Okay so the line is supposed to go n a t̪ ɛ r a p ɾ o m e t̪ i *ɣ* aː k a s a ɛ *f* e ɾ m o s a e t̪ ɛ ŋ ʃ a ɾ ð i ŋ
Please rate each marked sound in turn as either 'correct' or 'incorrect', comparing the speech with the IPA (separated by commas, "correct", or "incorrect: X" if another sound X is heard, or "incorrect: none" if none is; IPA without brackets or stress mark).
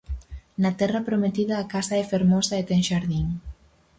incorrect: ð, correct